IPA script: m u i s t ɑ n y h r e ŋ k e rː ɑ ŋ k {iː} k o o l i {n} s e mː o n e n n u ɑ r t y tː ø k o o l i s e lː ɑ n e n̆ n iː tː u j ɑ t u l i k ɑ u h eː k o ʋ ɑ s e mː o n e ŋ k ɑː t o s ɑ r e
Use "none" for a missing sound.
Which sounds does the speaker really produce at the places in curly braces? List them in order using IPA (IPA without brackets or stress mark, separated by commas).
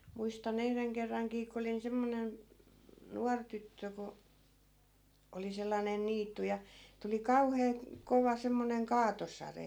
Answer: iː, n